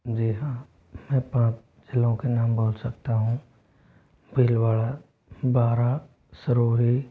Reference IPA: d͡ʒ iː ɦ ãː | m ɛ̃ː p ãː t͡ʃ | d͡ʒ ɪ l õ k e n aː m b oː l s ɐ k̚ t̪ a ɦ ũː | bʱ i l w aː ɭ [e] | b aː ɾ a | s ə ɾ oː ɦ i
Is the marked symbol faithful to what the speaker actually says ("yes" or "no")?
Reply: no